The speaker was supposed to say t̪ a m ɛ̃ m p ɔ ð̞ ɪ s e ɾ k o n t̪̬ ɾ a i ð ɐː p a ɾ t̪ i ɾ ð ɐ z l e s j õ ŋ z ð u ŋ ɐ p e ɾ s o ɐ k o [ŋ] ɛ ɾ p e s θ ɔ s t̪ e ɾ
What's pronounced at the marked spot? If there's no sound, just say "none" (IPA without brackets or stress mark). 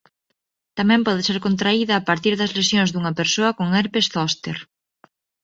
ŋ